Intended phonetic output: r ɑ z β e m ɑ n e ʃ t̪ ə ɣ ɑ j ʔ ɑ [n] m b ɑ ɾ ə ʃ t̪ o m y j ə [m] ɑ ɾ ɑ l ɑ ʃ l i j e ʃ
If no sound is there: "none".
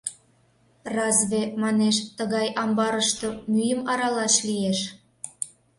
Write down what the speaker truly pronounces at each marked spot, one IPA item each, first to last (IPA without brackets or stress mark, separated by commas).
none, m